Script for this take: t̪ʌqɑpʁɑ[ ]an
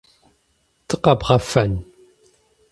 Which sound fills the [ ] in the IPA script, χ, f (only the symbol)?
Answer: f